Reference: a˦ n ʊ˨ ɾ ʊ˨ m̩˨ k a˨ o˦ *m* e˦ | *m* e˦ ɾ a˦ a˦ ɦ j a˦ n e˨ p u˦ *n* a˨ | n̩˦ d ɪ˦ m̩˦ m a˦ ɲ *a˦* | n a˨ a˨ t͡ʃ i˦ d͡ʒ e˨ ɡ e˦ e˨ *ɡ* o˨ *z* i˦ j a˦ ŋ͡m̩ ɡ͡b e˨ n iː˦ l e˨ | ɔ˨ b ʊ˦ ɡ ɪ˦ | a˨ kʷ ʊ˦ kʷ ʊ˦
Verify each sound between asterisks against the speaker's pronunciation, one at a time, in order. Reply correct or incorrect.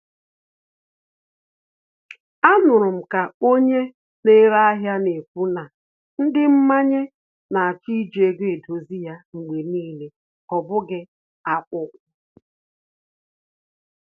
incorrect, incorrect, correct, incorrect, incorrect, correct

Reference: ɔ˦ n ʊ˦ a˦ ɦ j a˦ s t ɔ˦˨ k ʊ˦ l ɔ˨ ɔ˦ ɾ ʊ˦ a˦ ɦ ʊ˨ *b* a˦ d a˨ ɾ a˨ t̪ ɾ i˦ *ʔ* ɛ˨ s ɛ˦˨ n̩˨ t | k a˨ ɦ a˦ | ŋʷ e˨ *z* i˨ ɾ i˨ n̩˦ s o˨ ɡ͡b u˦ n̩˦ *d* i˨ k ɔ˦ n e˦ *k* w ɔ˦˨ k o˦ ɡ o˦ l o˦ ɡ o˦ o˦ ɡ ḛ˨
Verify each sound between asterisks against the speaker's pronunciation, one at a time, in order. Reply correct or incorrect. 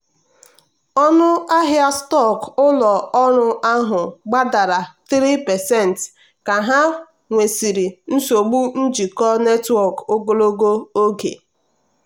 incorrect, incorrect, incorrect, incorrect, incorrect

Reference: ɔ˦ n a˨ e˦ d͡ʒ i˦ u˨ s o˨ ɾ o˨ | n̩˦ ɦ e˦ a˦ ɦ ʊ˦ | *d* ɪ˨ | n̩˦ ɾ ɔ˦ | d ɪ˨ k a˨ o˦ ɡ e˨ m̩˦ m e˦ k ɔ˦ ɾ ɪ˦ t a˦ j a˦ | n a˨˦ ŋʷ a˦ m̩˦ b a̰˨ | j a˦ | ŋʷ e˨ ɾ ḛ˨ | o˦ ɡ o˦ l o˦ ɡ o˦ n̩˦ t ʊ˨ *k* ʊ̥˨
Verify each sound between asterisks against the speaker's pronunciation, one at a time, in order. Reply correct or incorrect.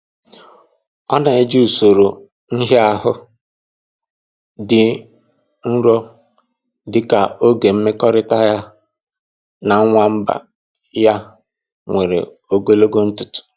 correct, incorrect

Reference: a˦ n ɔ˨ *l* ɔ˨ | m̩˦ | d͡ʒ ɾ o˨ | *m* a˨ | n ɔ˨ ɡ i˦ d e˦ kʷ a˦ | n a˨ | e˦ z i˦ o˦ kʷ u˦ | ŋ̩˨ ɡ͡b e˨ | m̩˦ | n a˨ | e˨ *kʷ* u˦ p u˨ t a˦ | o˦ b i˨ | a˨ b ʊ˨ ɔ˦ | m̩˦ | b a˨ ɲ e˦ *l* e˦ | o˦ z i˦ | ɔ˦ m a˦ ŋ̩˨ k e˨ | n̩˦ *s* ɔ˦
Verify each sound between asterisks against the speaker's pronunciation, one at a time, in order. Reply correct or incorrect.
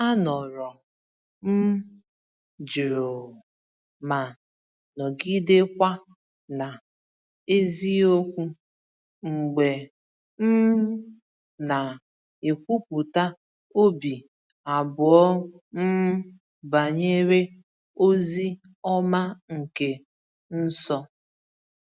incorrect, correct, correct, incorrect, correct

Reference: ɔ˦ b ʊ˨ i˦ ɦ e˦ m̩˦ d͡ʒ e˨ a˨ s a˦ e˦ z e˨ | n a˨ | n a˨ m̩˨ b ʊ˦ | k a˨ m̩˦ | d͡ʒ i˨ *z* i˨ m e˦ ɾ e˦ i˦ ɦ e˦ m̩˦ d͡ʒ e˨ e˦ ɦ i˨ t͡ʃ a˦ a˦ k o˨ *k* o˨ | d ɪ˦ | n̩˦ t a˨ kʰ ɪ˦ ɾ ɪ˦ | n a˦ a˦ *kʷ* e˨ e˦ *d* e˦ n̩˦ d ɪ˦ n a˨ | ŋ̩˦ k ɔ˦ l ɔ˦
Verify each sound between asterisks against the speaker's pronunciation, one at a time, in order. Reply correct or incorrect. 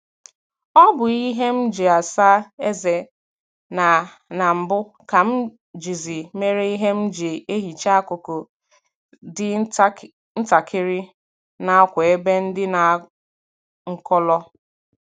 correct, correct, correct, incorrect

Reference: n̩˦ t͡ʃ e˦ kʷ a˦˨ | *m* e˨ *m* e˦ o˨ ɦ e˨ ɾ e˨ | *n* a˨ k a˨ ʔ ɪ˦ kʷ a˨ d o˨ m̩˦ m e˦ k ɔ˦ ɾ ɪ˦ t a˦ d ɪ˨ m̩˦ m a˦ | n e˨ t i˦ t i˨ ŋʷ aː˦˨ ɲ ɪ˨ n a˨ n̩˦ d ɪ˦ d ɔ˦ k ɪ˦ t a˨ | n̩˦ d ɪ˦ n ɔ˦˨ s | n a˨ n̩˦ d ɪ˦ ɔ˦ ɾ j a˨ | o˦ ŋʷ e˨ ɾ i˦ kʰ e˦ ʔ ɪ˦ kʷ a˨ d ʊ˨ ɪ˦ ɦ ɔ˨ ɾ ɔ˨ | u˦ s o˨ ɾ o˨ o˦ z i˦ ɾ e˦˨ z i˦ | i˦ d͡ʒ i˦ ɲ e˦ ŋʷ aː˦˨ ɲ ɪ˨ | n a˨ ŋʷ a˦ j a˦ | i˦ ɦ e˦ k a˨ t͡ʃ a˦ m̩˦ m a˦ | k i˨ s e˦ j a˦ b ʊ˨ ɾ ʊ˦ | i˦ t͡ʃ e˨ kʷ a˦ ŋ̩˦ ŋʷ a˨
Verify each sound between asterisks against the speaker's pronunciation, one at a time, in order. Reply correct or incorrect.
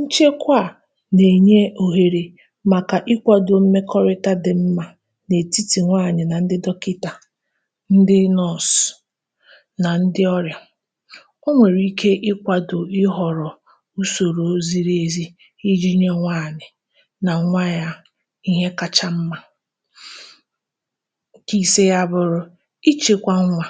incorrect, incorrect, incorrect

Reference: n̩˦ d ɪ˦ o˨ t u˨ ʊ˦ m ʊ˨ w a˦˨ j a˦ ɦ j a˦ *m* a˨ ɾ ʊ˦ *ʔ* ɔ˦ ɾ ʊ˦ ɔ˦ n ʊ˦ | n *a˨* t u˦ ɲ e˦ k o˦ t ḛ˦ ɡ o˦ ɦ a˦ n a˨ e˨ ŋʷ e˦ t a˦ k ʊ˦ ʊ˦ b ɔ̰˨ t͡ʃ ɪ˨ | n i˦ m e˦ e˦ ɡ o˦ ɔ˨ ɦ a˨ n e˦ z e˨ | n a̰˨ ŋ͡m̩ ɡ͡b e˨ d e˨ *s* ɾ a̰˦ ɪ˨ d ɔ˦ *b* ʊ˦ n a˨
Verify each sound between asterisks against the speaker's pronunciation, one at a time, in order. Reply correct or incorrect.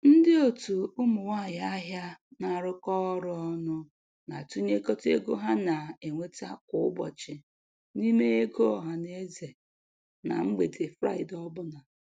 incorrect, incorrect, correct, incorrect, correct

